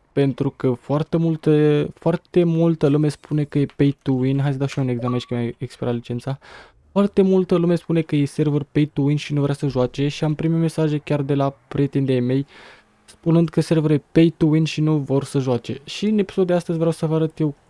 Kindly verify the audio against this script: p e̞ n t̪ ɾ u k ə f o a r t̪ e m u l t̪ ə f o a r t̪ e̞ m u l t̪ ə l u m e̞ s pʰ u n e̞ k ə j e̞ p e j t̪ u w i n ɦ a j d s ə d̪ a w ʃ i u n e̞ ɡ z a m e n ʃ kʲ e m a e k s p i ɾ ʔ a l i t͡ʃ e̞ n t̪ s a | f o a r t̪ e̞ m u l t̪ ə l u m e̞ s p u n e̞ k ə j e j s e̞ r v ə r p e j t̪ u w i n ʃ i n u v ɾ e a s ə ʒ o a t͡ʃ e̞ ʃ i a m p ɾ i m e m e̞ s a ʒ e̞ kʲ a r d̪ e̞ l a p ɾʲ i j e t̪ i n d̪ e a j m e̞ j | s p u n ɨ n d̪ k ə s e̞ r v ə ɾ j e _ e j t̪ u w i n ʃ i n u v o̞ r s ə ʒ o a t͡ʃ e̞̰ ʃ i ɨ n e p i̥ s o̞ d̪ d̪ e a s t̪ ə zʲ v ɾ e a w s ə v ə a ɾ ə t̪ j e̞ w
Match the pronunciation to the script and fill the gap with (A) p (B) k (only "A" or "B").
A